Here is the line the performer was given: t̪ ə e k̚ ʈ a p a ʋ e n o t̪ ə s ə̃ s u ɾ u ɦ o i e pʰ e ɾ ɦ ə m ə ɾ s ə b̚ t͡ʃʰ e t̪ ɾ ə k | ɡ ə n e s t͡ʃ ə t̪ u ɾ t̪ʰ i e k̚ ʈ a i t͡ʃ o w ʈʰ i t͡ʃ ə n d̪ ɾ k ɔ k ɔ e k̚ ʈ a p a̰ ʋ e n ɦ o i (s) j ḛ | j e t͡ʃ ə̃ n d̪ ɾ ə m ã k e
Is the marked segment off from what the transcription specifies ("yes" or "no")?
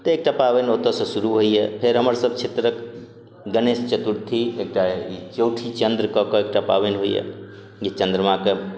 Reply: yes